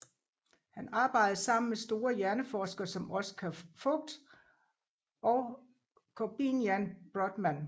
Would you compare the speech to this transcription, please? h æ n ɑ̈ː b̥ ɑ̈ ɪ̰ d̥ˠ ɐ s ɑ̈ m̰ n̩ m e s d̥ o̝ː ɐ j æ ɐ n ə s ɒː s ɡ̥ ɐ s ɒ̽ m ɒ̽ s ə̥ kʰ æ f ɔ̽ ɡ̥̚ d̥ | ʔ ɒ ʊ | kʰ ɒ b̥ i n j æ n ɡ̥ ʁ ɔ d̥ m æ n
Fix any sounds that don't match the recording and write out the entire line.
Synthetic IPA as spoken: h æ n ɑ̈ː b̥ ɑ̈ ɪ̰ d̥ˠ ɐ s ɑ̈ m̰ n̩ m e s d̥ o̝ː ɐ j æ ɐ n ə f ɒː s ɡ̥ ɐ s ɒ̽ m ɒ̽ s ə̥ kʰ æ f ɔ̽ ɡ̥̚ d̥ | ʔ ɒ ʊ | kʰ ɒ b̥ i n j æ n b̥ ʁ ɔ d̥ m æ n

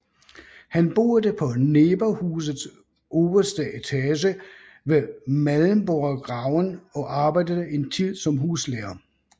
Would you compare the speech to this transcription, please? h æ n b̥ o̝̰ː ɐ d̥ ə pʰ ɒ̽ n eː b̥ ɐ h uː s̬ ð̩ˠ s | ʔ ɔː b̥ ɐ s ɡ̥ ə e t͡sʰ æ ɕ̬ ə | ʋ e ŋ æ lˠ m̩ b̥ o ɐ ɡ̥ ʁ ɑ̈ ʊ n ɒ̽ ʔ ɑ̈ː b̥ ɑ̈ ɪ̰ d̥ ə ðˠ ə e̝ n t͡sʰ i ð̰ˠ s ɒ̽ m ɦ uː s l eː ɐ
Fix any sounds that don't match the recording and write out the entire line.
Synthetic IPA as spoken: h æ n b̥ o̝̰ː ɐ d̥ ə pʰ ɒ̽ n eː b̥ ɐ h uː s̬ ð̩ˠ s | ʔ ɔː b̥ ɐ s d̥ ə e t͡sʰ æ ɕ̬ ə | ʋ e m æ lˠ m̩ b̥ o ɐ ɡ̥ ʁ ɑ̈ ʊ n ɒ̽ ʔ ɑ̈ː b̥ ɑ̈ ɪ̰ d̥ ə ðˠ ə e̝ n t͡sʰ i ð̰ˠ s ɒ̽ m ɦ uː s l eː ɐ

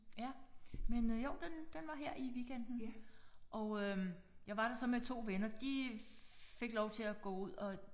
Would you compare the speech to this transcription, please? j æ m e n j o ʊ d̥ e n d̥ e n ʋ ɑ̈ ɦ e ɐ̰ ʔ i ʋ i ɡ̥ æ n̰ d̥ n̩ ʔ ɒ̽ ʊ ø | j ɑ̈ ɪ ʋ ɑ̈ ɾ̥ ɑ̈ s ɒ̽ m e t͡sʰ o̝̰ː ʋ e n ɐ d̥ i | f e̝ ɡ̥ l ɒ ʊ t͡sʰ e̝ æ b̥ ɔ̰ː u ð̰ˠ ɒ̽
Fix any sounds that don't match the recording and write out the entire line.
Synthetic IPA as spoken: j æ m e n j o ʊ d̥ e n d̥ e n ʋ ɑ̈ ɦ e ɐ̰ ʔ i ʋ i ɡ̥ e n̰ d̥ n̩ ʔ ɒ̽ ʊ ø | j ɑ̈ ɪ ʋ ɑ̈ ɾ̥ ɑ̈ s ɒ̽ m e t͡sʰ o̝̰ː ʋ e n ɐ d̥ i | f e̝ ɡ̥ l ɒ ʊ t͡sʰ e̝ æ ɡ̥ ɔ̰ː u ð̰ˠ ɒ̽

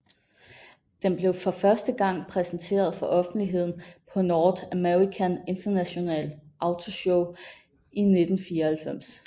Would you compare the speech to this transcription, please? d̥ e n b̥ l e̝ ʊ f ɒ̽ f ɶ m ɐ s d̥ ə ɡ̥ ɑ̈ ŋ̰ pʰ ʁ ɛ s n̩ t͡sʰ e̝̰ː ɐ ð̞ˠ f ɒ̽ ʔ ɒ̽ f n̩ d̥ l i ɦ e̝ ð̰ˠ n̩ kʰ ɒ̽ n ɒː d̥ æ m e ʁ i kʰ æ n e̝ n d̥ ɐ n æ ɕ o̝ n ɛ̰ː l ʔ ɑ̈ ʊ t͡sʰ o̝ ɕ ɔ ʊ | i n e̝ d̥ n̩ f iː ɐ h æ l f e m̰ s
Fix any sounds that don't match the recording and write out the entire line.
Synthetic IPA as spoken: d̥ e n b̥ l e̝ ʊ f ɒ̽ f ɶ ɐ s d̥ ə ɡ̥ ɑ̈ ŋ̰ pʰ ʁ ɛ s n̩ t͡sʰ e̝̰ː ɐ ð̞ˠ f ɒ̽ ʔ ɒ̽ f n̩ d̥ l i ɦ e̝ ð̰ˠ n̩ pʰ ɒ̽ n ɒː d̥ æ m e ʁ i kʰ æ n e̝ n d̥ ɐ n æ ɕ o̝ n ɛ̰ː l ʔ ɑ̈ ʊ t͡sʰ o̝ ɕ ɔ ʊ | i n e̝ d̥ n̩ f iː ɐ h æ l f e m̰ s

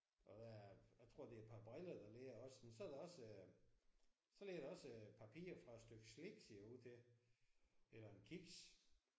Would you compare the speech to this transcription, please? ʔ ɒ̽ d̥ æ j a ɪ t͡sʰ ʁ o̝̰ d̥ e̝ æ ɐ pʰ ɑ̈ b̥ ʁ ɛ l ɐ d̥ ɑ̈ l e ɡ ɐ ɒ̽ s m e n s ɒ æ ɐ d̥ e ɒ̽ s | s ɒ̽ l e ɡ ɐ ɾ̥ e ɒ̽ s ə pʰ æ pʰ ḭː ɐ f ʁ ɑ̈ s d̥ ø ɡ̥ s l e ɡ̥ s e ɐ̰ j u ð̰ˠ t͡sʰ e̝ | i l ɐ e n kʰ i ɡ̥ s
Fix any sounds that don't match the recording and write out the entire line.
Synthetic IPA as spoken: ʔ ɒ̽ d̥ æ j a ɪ t͡sʰ ʁ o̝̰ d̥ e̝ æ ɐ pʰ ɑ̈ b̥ ʁ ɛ l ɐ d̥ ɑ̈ l e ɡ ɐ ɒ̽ s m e n s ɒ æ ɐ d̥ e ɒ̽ s | s ɒ̽ l e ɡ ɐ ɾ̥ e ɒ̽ s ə pʰ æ pʰ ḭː ɐ f ʁ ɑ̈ s d̥ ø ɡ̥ s l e ɡ̥ s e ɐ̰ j u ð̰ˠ t͡sʰ e̝ | e l ɐ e n kʰ i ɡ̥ s

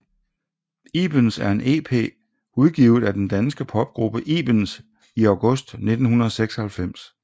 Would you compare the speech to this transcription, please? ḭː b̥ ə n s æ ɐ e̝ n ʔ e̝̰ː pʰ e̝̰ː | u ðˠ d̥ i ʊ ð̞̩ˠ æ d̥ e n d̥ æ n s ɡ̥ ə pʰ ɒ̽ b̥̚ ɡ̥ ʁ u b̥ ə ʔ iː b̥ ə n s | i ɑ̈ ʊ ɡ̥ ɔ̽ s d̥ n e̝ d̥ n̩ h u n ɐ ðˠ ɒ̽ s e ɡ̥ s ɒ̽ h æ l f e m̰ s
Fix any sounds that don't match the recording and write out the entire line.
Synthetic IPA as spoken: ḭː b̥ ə n s æ ɐ e̝ n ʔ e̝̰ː pʰ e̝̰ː | u ðˠ ɡ̥ i ʊ ð̞̩ˠ æ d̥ e n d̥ æ n s ɡ̥ ə pʰ ɒ̽ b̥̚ ɡ̥ ʁ u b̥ ə ʔ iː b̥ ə n s | i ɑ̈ ʊ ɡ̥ ɔ̽ s d̥ n e̝ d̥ n̩ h u n ɐ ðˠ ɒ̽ s e ɡ̥ s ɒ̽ h æ l f e m̰ s

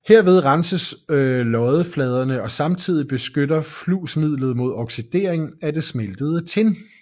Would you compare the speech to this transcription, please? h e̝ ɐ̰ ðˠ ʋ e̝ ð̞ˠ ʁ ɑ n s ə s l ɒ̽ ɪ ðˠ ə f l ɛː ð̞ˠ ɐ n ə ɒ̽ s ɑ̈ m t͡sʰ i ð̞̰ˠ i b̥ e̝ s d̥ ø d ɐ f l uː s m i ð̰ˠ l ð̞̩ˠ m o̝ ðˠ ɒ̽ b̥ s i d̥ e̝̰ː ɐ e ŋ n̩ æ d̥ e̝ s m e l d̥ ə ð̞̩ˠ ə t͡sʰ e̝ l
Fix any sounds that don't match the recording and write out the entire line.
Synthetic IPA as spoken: h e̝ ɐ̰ ʋ e̝ ð̞ˠ ʁ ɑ n s ə s l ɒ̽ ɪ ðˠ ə f l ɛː ð̞ˠ ɐ n ə ɒ̽ s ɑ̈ m t͡sʰ i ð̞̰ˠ i b̥ e̝ s ɡ̥ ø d ɐ f l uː s m i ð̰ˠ l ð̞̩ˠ m o̝ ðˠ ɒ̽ ɡ̥ s i d̥ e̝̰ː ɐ e ŋ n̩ æ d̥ e̝ s m e l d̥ ə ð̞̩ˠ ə t͡sʰ e̝ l

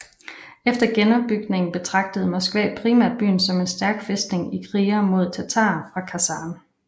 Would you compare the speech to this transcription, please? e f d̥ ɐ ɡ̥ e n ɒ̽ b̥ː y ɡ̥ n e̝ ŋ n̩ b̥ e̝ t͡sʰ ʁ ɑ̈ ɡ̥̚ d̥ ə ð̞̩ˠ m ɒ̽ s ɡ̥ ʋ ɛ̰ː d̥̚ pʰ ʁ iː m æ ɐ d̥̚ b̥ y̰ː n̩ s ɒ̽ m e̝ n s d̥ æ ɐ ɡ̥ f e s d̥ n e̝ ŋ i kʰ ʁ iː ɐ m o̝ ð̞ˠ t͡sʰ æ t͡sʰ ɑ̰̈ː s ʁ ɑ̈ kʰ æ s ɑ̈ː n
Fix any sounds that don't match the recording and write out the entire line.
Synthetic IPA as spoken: e f d̥ ɐ ɡ̥ e n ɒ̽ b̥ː y ɡ̥ n e̝ ŋ n̩ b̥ e̝ t͡sʰ ʁ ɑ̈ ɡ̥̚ d̥ ə ð̞̩ˠ m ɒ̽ s ɡ̥ ʋ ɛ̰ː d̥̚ pʰ ʁ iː m æ ɐ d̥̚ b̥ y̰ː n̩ s ɒ̽ m e̝ n s d̥ æ ɐ ɡ̥ f e s d̥ n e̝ ŋ i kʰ ʁ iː ɐ m o̝ ð̞ˠ t͡sʰ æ t͡sʰ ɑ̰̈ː f ʁ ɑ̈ kʰ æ s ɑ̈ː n

